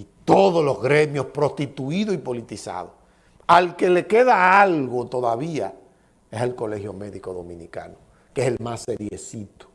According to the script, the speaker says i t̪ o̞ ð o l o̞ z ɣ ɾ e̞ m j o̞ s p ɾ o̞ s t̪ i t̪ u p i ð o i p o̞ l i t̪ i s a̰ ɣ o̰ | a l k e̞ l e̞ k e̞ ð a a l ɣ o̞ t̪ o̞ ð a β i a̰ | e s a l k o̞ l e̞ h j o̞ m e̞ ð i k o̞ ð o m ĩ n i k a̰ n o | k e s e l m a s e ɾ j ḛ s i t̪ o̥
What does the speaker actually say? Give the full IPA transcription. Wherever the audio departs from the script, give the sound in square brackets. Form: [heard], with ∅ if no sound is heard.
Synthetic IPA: i t̪ o̞ ð o l o̞ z ɣ ɾ e̞ m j o̞ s p ɾ o̞ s t̪ i t̪ u [∅] i ð o i p o̞ l i t̪ i s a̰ [ð] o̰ | a l k e̞ l e̞ k e̞ ð a a l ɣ o̞ t̪ o̞ ð a β i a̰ | e s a l k o̞ l e̞ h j o̞ m e̞ ð i k o̞ ð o m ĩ n i k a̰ n o | k e s e l m a s e ɾ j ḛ s i t̪ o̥